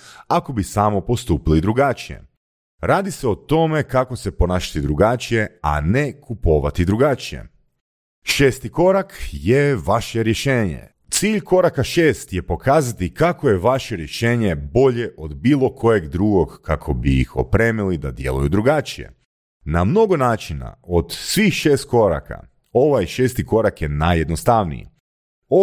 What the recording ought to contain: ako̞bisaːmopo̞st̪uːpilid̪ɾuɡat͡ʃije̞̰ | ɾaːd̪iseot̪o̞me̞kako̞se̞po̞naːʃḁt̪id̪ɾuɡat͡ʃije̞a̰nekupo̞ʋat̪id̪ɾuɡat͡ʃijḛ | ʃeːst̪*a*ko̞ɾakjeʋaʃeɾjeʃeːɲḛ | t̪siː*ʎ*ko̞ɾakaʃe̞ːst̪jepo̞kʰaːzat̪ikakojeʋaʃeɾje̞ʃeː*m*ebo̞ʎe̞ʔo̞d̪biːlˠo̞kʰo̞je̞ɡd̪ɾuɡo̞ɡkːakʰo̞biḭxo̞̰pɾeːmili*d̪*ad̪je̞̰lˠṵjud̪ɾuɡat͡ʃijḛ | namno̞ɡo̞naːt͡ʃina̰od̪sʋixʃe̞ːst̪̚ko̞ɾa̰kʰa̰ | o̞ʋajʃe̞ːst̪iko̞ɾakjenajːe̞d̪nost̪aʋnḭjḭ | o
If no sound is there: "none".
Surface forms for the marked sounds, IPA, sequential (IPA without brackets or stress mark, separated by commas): i, ʎ, ɲ, d̪